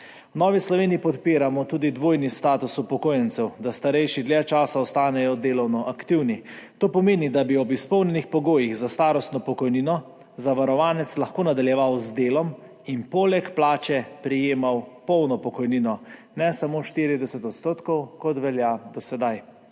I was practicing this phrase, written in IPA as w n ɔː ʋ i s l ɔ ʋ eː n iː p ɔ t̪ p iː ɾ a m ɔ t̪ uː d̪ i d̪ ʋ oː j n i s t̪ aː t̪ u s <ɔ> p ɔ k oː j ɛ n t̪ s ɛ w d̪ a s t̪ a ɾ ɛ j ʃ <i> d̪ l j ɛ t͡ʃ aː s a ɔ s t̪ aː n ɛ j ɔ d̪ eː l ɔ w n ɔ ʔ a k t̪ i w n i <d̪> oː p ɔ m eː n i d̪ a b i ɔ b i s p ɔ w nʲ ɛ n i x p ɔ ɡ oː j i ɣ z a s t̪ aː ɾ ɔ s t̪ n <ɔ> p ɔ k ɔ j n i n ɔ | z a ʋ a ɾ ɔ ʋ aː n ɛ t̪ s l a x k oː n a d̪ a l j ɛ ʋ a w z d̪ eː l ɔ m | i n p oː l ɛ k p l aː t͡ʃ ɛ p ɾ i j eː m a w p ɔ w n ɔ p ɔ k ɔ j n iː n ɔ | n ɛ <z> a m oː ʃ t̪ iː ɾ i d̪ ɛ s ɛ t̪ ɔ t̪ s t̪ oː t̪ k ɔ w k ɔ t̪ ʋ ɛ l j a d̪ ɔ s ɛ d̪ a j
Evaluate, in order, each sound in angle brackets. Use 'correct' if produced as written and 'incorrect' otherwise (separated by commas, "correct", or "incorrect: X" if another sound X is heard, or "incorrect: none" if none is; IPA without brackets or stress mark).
incorrect: u, correct, incorrect: t̪, correct, incorrect: s